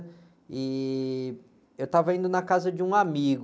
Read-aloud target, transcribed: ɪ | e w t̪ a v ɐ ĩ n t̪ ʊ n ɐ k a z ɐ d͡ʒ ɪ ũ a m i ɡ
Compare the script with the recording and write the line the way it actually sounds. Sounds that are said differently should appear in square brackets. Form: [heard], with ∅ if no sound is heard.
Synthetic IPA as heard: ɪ | e w t̪ a v ɐ ĩ n [d̪] ʊ n ɐ k a z ɐ d͡ʒ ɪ ũ a m i ɡ